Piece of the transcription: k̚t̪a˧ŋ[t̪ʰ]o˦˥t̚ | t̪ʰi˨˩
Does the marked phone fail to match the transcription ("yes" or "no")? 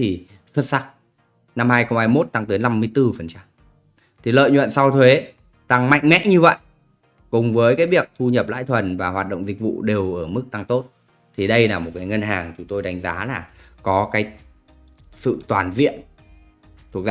yes